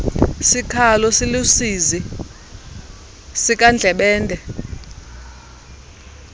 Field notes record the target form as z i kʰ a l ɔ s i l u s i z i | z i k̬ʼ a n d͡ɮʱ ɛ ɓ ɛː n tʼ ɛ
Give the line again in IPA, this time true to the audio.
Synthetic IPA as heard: s i kʰ a l ɔ s i l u s i z i | s i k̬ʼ a n d͡ɮʱ ɛ ɓ ɛː n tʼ ɛ